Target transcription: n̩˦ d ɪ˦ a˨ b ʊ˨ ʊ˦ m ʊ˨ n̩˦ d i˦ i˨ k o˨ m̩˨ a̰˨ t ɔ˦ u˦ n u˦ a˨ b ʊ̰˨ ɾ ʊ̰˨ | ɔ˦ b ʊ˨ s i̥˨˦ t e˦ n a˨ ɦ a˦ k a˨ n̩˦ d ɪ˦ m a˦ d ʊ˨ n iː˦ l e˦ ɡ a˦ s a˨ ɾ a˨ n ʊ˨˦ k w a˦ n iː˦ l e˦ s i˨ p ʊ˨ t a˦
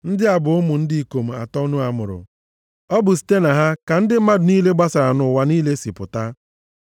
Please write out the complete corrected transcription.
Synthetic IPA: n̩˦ d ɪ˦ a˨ b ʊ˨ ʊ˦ m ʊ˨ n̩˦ d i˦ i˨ k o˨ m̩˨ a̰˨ t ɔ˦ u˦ n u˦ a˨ m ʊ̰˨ ɾ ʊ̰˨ | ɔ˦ b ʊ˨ s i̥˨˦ t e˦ n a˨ ɦ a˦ k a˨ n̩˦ d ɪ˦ m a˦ d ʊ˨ n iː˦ l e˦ ɡ͡b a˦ s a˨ ɾ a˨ n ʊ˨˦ w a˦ n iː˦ l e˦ s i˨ p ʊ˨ t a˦

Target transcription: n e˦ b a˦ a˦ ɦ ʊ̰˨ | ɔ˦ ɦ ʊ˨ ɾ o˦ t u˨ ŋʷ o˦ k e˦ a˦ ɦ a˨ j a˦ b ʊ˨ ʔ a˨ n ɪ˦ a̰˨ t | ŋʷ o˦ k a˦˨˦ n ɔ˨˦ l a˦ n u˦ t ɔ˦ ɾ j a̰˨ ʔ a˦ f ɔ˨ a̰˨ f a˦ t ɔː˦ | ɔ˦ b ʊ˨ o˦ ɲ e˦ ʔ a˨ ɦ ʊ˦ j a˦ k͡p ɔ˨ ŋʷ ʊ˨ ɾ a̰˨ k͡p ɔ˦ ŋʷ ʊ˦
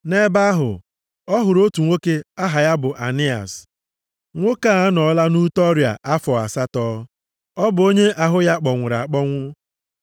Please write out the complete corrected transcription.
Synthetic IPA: n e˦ b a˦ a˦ ɦ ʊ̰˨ | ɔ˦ ɦ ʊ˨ ɾ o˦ t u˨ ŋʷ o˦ k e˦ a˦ ɦ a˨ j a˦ b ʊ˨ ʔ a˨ n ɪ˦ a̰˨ s | ŋʷ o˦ k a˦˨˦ n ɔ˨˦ l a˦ n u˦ t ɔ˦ ɾ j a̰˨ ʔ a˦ f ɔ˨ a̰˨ s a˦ t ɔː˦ | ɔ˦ b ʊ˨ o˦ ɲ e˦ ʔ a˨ ɦ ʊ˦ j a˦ k͡p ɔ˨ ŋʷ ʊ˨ ɾ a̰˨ k͡p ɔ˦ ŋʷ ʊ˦

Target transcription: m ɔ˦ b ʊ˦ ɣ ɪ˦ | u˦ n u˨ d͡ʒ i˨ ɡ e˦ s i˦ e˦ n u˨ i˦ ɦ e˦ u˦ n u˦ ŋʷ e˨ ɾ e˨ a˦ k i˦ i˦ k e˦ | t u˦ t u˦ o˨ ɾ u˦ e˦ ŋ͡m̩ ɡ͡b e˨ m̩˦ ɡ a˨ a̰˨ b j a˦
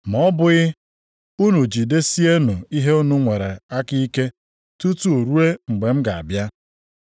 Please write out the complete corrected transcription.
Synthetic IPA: m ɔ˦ b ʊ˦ ɣ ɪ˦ | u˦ n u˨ d͡ʒ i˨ d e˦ s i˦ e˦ n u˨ i˦ ɦ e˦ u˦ n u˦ ŋʷ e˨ ɾ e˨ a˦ k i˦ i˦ k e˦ | t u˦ t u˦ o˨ ɾ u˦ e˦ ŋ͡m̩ ɡ͡b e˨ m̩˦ ɡ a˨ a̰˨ b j a˦

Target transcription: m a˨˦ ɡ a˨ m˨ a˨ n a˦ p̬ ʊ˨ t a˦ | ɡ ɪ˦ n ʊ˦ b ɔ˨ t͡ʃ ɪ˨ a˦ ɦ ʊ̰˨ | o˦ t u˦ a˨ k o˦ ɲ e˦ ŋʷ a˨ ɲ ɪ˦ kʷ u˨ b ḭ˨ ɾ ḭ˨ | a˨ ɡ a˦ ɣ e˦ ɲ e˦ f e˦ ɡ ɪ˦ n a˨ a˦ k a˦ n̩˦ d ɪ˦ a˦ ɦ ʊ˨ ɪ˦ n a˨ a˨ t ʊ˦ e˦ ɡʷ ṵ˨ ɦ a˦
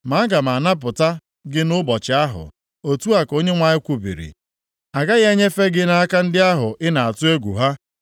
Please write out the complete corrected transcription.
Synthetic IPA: m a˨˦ ɡ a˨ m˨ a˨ n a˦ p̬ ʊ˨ t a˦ | ɡ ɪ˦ n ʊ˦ b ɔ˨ t͡ʃ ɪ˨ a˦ ɦ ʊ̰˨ | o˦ t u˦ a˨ k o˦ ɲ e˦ ŋʷ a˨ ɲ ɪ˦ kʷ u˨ b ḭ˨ ɾ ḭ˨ | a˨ ɡ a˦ ɣ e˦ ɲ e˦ f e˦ ɡ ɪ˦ n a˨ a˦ k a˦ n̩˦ d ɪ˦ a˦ ɦ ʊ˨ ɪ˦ n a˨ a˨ t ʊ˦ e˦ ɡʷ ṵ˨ ɦ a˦

